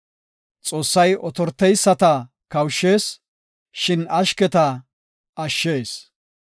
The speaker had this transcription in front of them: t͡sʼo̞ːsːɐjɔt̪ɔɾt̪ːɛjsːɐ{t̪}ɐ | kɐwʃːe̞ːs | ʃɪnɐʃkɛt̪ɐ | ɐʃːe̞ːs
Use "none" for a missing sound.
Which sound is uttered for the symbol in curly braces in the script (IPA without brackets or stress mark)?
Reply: t̪